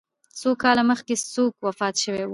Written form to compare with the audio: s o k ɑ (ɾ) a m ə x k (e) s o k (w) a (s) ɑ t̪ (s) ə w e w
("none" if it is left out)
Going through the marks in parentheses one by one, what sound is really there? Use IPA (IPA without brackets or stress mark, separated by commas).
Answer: l, e, w, f, ʃ